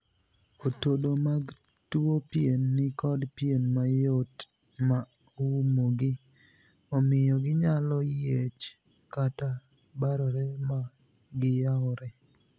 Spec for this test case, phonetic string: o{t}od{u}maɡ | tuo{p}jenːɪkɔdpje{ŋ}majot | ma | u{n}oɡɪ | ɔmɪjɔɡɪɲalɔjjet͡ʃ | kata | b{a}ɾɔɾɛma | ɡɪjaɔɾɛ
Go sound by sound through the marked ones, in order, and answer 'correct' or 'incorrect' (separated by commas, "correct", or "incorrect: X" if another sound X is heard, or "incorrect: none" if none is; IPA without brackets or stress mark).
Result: correct, incorrect: o, correct, incorrect: n, incorrect: m, correct